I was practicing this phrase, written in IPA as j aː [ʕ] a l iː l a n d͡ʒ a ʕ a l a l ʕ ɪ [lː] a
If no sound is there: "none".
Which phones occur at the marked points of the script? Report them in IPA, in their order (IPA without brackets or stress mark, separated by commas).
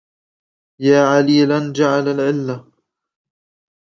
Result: ʕ, lː